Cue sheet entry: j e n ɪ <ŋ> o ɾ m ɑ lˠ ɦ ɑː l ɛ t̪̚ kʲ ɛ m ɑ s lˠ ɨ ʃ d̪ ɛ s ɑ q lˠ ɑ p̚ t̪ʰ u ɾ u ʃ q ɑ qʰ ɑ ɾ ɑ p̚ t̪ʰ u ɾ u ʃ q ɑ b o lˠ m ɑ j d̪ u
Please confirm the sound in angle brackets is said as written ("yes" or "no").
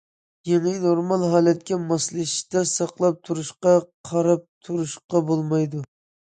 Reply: no